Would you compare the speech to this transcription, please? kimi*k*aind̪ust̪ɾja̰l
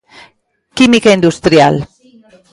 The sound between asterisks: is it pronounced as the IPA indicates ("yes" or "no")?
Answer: yes